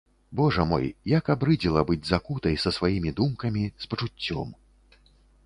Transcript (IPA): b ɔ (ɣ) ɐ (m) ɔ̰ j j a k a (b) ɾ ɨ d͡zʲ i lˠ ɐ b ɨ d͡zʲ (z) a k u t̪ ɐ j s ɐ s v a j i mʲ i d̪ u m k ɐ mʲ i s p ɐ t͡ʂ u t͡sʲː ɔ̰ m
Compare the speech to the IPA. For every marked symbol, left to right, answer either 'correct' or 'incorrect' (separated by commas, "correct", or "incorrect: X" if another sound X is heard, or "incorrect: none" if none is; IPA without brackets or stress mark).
incorrect: ʐ, correct, correct, correct